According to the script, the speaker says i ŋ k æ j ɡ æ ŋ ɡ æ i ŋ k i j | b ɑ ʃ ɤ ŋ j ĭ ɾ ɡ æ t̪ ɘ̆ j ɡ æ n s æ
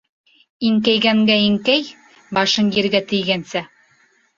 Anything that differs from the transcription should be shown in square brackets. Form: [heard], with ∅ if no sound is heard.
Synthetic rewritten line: i ŋ k æ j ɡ æ ŋ ɡ æ i ŋ k [æ] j | b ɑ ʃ ɤ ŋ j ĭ ɾ ɡ æ t̪ ɘ̆ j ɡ æ n s æ